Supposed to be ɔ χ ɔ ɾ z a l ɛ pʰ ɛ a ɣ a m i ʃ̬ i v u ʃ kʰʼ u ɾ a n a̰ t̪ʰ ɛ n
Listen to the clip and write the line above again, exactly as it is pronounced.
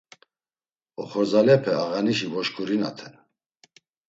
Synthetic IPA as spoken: ɔ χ ɔ ɾ z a l ɛ pʰ ɛ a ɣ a n i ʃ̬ i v ɔ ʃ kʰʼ u ɾ i n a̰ t̪ʰ ɛ n